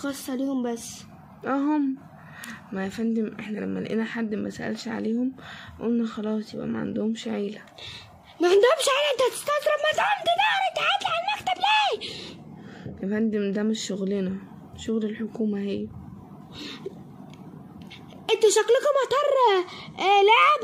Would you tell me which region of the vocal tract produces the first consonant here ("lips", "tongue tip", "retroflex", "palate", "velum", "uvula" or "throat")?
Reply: velum